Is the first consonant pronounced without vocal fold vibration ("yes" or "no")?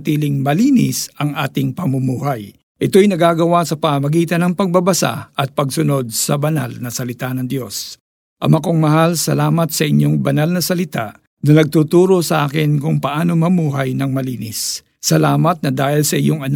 yes